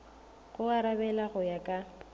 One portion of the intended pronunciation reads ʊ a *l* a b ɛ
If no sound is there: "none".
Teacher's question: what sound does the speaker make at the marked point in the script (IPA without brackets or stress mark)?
ɾ